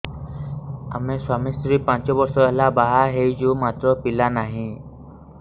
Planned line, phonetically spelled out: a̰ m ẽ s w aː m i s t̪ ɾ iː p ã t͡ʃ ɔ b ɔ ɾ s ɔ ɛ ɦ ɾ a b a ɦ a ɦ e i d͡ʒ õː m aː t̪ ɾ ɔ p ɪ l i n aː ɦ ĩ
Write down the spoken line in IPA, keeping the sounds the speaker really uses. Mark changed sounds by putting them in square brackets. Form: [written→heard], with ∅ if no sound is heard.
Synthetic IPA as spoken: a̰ m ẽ s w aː m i s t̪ ɾ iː p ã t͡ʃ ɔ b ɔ ɾ s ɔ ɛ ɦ [ɾ→l] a b a ɦ a ɦ e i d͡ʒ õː m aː t̪ ɾ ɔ p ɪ l [i→a] n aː ɦ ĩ